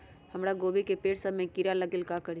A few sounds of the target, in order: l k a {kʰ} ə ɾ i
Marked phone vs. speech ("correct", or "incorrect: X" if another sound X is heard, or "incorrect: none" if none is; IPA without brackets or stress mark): incorrect: k